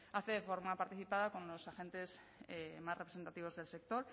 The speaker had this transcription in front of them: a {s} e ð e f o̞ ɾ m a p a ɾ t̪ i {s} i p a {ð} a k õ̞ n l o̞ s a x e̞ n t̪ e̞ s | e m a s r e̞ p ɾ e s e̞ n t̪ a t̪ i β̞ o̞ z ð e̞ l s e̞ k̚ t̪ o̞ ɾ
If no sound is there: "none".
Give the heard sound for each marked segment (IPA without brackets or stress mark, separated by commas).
θ, θ, ð